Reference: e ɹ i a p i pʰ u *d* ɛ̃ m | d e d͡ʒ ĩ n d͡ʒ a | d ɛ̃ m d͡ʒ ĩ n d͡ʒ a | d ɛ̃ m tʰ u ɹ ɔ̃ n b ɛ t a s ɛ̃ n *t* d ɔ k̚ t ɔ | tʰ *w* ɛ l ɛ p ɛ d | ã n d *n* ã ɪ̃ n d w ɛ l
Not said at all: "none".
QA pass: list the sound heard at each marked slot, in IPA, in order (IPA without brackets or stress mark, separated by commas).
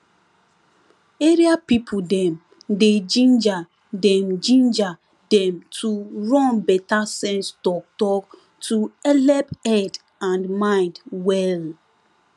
d, s, u, m